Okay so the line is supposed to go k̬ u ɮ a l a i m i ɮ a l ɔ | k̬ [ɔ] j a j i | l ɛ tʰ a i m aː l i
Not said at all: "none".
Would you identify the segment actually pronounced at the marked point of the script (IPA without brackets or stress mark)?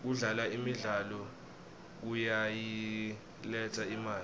u